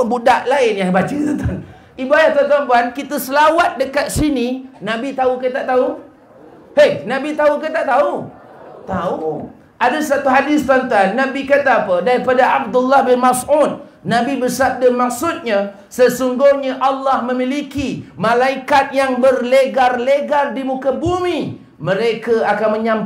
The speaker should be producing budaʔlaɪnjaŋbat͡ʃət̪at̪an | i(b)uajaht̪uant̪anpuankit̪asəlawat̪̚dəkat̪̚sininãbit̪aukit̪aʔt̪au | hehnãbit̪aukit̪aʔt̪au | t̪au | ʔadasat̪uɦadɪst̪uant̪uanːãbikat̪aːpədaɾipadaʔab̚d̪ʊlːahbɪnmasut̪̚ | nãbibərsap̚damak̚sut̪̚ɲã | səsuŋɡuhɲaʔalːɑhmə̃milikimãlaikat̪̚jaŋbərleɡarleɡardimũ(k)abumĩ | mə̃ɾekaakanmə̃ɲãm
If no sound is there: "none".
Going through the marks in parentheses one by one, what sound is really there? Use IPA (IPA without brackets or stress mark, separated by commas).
b, k